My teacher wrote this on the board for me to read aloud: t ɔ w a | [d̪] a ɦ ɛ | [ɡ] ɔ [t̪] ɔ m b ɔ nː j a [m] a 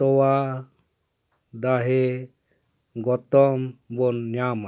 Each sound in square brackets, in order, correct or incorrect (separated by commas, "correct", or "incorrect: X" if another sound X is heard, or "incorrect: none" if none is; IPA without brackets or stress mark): correct, correct, correct, correct